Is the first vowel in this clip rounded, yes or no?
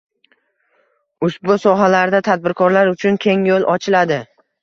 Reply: yes